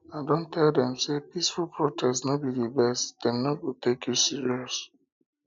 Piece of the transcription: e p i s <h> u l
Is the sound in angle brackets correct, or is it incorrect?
incorrect